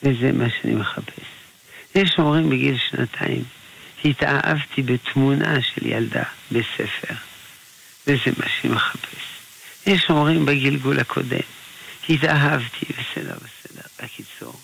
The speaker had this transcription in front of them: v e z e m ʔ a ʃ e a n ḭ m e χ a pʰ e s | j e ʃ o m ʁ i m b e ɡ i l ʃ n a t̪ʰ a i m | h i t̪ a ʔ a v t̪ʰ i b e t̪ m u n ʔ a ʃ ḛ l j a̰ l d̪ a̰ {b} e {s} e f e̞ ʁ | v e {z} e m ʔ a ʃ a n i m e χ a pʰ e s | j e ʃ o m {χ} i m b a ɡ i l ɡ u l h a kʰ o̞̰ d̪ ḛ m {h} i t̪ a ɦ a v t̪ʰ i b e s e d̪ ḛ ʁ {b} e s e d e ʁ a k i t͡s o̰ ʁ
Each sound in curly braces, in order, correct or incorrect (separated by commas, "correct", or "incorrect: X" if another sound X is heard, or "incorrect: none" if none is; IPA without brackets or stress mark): correct, correct, correct, incorrect: ʁ, correct, correct